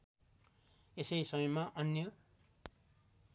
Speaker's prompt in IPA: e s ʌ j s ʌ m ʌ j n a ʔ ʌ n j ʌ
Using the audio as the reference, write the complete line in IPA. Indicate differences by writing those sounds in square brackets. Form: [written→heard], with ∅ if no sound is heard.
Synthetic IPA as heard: e s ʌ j s ʌ m ʌ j [n→m] a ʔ ʌ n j ʌ